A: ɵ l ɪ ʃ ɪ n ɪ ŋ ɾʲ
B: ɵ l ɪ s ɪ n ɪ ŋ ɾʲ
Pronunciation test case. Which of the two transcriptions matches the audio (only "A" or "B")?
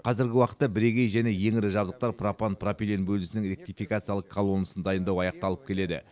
B